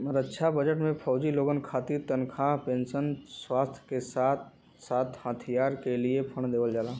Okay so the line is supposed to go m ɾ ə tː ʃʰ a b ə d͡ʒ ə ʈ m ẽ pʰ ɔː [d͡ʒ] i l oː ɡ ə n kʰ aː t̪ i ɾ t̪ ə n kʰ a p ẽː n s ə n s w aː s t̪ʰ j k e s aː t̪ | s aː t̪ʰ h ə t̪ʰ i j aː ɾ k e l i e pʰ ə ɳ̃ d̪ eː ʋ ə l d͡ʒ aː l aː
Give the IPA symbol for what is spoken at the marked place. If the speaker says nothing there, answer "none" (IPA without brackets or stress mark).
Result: d͡ʒ